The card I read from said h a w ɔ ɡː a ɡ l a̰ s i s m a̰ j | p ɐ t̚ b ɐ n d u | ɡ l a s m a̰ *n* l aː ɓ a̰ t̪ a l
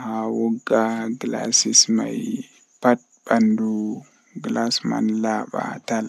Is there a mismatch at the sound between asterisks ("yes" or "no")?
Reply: no